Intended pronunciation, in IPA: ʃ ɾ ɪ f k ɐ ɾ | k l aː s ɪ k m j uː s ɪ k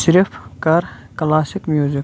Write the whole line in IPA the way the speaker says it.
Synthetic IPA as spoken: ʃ ɾ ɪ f k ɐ ɾ | k l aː s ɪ k m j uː z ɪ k